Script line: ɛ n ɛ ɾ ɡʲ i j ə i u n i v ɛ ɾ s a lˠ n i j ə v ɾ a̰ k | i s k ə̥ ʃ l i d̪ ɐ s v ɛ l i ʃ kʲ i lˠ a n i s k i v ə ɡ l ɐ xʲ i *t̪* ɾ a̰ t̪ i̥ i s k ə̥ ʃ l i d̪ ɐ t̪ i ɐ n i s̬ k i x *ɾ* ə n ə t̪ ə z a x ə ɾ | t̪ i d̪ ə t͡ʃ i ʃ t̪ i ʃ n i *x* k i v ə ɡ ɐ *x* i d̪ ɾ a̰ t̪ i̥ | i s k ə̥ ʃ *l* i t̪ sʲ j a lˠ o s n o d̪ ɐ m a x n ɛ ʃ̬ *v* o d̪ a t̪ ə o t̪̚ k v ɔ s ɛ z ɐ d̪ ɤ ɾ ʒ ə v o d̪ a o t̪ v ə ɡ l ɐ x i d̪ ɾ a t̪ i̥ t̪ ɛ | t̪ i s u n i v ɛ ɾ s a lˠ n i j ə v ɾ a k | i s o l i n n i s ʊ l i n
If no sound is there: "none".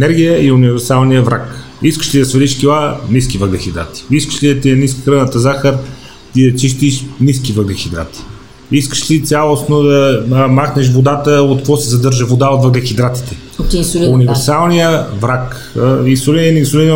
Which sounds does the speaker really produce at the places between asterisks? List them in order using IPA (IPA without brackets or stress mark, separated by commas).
d̪, ɾ, s, x, l, v